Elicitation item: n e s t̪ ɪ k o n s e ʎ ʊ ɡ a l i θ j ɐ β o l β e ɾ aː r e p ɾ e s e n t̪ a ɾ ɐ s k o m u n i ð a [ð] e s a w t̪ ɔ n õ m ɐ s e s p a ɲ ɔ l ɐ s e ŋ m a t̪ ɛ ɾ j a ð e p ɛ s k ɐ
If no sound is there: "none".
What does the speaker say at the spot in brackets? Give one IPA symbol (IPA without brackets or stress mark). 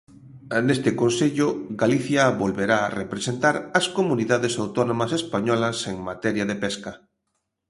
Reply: ð